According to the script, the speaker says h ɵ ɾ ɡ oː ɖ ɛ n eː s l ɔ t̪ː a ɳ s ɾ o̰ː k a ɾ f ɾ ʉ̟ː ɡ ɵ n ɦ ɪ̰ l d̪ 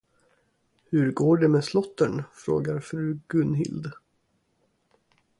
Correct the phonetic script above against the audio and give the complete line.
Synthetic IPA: h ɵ ɾ ɡ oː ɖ ɛ m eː s l ɔ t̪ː ə ɳ f ɾ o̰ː ɡ a ɾ f ɾ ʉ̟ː ɡ ɵ n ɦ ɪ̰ l d̪